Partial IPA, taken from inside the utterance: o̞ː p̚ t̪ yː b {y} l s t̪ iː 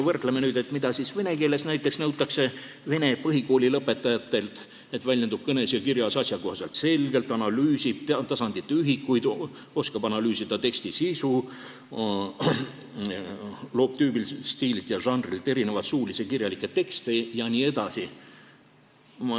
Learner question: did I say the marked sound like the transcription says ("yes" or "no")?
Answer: no